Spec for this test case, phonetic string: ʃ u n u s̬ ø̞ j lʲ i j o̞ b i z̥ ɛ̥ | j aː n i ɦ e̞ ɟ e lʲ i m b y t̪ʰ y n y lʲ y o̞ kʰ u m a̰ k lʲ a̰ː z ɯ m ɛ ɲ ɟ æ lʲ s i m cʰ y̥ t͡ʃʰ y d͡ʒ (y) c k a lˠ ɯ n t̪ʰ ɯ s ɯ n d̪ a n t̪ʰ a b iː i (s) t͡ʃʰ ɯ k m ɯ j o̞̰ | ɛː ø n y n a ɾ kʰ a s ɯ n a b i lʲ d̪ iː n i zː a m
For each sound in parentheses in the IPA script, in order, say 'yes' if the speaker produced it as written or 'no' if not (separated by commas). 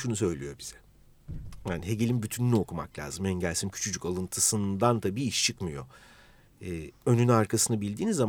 yes, no